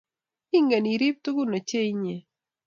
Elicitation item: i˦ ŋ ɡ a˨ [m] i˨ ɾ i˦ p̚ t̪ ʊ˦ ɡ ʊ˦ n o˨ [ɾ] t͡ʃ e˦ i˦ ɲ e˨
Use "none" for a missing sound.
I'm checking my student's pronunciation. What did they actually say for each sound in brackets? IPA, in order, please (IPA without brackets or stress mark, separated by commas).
n, none